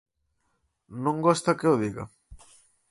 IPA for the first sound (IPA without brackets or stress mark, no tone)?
n